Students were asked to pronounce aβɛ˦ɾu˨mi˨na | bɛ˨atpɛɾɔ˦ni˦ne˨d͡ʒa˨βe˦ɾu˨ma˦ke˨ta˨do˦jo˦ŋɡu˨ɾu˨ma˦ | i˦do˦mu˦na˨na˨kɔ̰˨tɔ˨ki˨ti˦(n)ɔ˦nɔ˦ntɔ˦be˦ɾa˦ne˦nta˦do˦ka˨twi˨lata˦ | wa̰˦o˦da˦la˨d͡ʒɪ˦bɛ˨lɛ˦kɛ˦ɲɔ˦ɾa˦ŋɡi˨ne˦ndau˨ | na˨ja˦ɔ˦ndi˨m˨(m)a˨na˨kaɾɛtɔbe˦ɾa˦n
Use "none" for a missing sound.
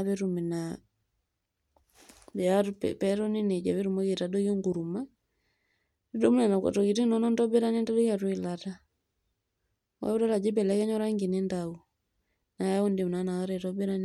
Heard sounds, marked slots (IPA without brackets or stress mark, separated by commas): n, n